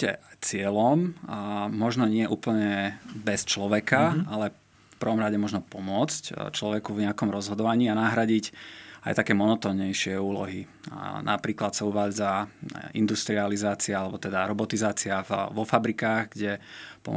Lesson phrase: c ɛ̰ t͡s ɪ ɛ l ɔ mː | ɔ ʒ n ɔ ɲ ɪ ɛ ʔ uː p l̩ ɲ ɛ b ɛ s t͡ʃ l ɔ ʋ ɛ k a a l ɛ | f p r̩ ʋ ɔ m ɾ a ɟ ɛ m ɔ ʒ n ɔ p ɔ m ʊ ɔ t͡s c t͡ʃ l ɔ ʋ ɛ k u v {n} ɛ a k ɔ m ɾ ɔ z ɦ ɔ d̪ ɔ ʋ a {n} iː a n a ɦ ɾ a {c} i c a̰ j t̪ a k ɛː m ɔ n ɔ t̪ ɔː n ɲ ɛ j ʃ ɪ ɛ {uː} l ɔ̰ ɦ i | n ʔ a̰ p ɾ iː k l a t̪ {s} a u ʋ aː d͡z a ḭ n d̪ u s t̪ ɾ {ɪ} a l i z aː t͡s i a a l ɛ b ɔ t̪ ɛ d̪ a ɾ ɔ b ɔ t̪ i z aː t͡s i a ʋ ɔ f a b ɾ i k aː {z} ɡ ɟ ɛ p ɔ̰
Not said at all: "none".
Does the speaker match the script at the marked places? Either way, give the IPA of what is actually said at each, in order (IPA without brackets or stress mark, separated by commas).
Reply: ɲ, ɲ, ɟ, uː, s, i, ɣ